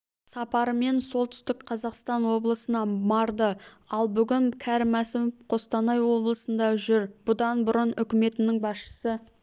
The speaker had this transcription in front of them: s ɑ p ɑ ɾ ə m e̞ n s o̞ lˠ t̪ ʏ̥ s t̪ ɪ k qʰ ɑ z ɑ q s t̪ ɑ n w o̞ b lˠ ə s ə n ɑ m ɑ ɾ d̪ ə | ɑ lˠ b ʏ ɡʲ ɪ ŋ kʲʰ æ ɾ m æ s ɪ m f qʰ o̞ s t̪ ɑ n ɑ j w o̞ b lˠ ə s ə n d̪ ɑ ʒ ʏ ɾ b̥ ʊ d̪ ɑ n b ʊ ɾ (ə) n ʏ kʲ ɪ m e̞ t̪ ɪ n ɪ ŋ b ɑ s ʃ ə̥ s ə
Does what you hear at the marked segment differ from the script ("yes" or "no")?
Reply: no